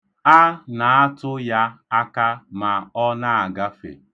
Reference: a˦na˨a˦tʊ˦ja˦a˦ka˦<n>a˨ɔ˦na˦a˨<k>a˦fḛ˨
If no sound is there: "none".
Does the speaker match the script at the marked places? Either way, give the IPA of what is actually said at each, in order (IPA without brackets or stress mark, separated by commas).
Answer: m, ɡ